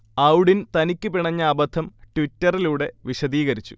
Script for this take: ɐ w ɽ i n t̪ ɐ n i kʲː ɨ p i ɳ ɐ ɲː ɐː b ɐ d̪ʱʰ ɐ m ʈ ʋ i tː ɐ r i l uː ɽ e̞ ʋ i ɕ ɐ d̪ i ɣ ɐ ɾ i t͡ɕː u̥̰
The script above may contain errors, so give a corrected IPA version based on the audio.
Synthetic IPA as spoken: ɐ w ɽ i n t̪ ɐ n i kʲː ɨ p i ɳ ɐ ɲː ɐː b ɐ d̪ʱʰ ɐ m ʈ ʋ i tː ɐ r i l uː ɽ e̞ ʋ i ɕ ɐ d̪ iː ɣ ɐ ɾ i t͡ɕː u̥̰